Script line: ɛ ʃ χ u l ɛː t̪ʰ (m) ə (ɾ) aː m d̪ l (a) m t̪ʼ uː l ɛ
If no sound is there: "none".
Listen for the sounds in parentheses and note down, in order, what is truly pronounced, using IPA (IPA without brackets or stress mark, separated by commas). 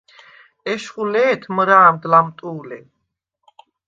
m, ɾ, a